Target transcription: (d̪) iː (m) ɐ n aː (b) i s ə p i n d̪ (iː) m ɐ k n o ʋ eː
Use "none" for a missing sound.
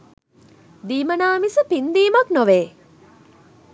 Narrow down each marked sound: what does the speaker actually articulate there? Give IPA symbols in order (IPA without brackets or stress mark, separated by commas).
d̪, m, m, iː